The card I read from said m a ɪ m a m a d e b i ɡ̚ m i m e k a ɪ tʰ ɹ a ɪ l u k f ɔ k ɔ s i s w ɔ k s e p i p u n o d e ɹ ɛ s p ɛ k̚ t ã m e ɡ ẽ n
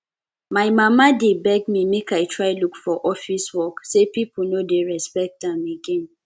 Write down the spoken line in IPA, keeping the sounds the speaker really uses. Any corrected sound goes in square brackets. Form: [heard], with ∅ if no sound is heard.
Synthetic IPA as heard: m a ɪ m a m a d e b [ɛ] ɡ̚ m i m e k a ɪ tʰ ɹ a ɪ l u k f ɔ [ʔ] ɔ [f] i s w ɔ k s e p i p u n o d e ɹ ɛ s p ɛ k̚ t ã m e ɡ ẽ n